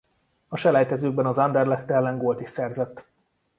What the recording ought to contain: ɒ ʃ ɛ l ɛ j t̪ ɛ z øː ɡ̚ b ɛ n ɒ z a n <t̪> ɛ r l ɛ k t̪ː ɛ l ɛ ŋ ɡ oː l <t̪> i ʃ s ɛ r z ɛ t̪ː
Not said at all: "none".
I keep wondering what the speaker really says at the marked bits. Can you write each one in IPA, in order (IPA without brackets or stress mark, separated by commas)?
d̪, t̪